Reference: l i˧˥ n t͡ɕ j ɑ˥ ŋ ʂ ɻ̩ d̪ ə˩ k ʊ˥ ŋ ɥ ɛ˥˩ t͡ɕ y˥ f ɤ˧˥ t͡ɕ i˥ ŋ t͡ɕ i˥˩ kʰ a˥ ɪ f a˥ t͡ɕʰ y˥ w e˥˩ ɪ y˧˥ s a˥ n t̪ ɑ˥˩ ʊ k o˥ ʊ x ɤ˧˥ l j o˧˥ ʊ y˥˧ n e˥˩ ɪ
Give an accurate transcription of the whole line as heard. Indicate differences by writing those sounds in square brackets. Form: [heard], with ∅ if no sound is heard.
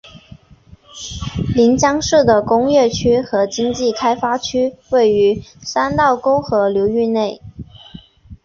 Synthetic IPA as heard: l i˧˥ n t͡ɕ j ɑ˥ ŋ ʂ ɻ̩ d̪ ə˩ k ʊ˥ ŋ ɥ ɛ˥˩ [t͡ɕʰ] y˥ [x] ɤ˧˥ t͡ɕ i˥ ŋ t͡ɕ i˥˩ kʰ a˥ ɪ f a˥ t͡ɕʰ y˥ w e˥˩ ɪ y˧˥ s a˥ n t̪ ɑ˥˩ ʊ k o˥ ʊ x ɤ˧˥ l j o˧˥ ʊ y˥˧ n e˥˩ ɪ